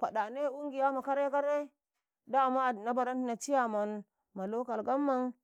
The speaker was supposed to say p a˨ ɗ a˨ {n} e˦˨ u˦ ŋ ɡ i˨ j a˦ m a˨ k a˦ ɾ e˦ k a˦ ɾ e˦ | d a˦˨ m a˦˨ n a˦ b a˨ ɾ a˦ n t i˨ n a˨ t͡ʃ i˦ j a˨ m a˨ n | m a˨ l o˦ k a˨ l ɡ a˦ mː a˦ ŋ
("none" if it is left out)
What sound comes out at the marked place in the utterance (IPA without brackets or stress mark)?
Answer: n